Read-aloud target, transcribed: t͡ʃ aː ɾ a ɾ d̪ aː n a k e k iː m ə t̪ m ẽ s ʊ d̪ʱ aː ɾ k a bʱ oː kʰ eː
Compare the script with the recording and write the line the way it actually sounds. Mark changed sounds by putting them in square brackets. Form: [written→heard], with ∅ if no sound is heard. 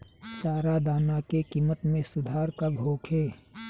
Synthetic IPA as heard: t͡ʃ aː ɾ a [ɾ→∅] d̪ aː n a k e k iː m ə t̪ m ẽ s ʊ d̪ʱ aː ɾ k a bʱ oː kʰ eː